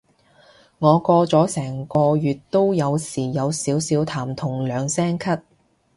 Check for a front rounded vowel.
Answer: present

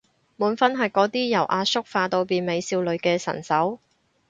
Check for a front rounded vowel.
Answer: absent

